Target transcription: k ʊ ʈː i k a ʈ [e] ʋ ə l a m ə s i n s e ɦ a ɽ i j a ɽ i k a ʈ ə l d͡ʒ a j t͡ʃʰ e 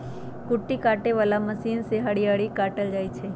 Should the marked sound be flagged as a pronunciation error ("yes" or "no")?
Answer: no